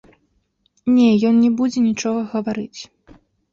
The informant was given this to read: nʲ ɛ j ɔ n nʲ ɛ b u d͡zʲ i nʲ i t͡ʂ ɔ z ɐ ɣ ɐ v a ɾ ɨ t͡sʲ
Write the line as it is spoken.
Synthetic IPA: nʲ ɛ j ɔ n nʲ ɛ b u d͡zʲ ɛ nʲ i t͡ʂ ɔ ɣ ɐ ɣ ɐ v a ɾ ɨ t͡sʲ